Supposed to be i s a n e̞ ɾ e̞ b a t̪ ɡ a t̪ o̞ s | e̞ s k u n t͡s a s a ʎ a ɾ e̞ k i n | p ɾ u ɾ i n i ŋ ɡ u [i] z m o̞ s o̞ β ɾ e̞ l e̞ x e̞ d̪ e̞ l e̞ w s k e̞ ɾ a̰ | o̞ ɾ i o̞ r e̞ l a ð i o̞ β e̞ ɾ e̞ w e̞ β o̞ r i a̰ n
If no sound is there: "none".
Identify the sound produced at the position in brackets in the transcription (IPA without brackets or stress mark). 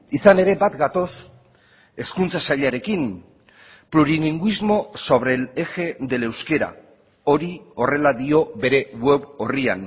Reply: i